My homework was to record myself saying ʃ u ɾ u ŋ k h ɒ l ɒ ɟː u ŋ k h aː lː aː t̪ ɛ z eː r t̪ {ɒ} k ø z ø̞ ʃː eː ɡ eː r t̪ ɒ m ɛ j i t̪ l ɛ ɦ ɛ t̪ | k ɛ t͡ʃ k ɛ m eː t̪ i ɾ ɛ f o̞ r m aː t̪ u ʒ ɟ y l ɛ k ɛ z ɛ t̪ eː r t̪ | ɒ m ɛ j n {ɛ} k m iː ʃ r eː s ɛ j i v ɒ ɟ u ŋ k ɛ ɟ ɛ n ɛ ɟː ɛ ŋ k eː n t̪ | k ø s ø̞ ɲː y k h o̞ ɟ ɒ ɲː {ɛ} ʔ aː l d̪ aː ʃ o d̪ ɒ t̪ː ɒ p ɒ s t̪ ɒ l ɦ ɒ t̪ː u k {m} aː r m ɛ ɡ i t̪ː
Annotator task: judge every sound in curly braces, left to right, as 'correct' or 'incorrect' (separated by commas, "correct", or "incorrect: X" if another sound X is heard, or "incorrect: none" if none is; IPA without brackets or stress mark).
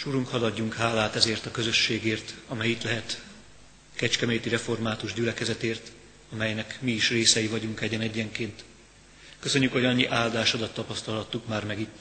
correct, correct, incorrect: i, correct